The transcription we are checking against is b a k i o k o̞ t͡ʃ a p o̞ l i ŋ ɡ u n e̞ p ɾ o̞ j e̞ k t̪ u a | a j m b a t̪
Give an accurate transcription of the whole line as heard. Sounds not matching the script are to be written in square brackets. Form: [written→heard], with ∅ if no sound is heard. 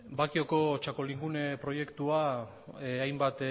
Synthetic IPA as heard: b a k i o k o̞ t͡ʃ a [p→k] o̞ l i ŋ ɡ u n e̞ p ɾ o̞ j e̞ k t̪ u a | a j m b a t̪